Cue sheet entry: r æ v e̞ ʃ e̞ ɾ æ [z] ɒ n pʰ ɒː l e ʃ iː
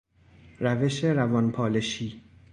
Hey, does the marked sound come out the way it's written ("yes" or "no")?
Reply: no